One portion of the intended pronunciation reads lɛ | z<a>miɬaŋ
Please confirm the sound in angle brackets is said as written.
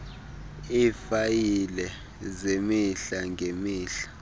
no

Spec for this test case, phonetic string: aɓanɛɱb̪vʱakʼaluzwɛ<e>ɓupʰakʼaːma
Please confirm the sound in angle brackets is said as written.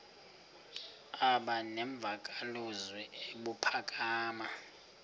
yes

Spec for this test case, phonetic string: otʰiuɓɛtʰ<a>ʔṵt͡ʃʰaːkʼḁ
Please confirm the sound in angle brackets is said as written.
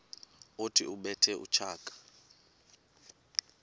no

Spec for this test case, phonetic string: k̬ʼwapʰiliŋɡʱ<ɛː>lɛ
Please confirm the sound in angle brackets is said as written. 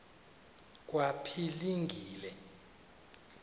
no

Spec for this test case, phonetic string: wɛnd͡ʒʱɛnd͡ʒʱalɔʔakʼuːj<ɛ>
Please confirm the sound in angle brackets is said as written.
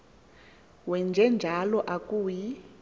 no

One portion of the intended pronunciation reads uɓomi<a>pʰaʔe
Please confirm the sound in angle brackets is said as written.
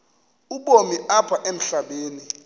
yes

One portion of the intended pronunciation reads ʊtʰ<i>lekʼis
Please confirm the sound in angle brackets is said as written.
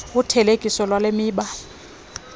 no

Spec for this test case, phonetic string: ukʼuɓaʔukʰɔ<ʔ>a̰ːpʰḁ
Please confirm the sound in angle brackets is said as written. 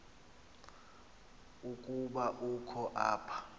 yes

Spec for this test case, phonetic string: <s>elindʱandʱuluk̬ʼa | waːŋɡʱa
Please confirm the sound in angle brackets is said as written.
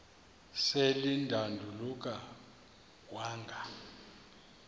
yes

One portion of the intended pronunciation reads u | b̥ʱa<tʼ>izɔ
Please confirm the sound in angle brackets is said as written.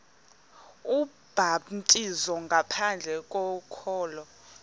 yes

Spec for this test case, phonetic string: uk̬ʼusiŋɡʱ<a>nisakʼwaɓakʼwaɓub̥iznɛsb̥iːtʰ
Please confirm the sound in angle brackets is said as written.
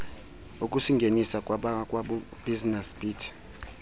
no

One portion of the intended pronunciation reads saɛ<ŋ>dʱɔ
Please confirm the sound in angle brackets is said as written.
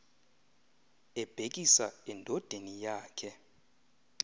no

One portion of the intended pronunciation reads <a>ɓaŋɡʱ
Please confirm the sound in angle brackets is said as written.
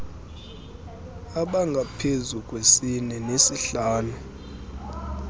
yes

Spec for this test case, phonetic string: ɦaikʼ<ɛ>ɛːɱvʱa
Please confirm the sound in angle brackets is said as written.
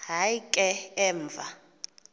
yes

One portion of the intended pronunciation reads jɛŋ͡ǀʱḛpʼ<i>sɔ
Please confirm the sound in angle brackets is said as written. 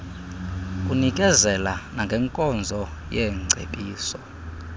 no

